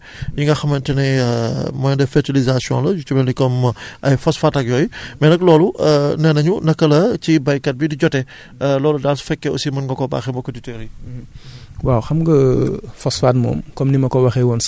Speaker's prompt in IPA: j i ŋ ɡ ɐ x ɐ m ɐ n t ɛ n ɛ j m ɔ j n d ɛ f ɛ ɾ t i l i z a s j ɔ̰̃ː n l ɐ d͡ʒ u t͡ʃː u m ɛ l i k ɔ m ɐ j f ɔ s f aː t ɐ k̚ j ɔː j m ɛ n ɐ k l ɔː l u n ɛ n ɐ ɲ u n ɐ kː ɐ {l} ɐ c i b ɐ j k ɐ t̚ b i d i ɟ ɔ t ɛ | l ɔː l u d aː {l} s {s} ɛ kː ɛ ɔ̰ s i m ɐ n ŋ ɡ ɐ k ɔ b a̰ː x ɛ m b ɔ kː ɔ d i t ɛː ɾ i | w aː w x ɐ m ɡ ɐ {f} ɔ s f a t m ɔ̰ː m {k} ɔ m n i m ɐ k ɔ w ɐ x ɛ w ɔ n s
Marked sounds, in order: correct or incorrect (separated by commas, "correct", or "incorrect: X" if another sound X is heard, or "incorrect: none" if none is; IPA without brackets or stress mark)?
correct, correct, incorrect: f, correct, correct